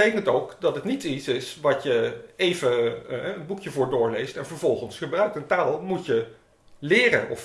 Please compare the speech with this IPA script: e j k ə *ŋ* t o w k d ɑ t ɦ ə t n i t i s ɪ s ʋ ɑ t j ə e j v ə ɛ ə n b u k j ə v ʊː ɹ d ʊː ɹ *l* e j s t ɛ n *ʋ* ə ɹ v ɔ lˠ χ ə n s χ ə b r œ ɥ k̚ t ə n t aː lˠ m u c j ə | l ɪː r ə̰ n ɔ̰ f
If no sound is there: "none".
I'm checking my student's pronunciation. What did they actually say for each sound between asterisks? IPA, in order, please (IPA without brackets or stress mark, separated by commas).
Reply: n, l, v